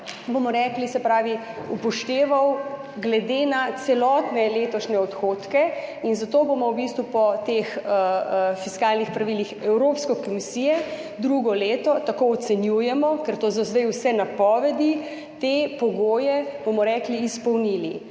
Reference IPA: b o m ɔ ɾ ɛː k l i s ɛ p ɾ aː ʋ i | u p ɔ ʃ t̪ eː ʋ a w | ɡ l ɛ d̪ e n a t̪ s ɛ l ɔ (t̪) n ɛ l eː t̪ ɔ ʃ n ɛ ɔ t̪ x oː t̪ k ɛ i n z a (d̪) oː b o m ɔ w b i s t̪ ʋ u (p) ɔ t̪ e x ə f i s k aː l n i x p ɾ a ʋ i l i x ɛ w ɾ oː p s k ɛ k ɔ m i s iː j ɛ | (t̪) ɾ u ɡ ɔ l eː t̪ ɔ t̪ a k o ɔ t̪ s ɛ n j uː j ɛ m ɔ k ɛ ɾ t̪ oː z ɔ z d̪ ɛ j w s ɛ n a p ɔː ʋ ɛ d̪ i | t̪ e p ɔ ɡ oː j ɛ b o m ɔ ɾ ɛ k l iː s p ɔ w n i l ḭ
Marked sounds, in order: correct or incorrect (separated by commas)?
correct, incorrect, correct, incorrect